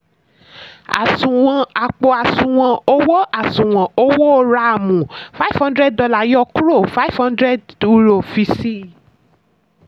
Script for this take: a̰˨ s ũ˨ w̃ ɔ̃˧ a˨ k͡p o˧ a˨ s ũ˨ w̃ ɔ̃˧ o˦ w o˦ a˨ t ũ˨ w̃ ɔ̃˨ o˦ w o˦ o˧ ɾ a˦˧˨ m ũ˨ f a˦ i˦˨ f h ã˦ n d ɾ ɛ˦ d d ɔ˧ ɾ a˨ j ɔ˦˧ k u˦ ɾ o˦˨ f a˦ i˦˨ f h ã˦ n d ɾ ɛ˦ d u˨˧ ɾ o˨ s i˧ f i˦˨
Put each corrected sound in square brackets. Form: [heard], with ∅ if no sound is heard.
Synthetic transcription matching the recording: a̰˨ s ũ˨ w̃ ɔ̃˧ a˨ k͡p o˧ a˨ s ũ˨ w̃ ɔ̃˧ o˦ w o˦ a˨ [s] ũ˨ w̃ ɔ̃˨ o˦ w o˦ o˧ ɾ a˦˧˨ m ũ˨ f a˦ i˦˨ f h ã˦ n d ɾ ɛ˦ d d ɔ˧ [l] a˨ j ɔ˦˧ k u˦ ɾ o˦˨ f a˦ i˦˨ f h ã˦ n d ɾ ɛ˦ d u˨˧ ɾ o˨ [f] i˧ [s] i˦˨